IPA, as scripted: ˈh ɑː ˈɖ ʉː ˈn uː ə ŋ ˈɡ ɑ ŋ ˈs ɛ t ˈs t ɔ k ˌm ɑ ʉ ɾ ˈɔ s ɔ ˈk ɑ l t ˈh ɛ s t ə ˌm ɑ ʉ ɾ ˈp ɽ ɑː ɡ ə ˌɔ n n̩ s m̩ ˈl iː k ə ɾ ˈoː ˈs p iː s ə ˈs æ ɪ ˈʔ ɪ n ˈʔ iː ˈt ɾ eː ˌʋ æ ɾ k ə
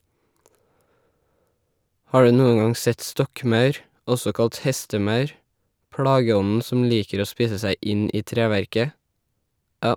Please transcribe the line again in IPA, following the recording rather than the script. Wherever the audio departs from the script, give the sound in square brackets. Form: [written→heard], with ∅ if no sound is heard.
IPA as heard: ˈh ɑː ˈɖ ʉː ˈn uː ə ŋ ˈɡ ɑ ŋ ˈs ɛ t ˈs t ɔ k ˌm ɑ ʉ ɾ ˈɔ s ɔ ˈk ɑ l t ˈh ɛ s t ə ˌm ɑ ʉ ɾ ˈp ɽ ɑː ɡ ə ˌɔ n n̩ s m̩ ˈl iː k ə ɾ ˈoː ˈs p iː s ə ˈs æ ɪ ˈʔ ɪ n ˈʔ iː ˈt ɾ eː ˌʋ æ ɾ k ə